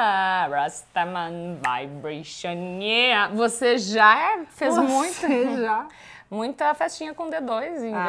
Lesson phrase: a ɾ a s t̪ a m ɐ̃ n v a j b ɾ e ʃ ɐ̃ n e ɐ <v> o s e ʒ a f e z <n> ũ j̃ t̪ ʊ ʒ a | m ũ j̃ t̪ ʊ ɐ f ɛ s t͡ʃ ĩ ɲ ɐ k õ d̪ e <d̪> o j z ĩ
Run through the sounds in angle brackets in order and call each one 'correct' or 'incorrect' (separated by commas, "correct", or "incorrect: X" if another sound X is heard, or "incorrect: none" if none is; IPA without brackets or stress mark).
correct, incorrect: m, correct